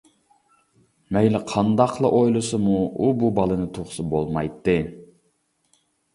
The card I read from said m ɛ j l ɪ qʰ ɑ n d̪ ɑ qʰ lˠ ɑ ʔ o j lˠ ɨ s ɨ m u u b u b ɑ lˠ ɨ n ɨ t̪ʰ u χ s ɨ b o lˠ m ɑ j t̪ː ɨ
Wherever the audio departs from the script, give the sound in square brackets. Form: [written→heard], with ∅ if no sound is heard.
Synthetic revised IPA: m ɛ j l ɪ qʰ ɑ n d̪ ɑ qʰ lˠ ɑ ʔ o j lˠ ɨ s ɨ m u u b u b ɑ lˠ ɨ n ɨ t̪ʰ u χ s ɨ b o lˠ m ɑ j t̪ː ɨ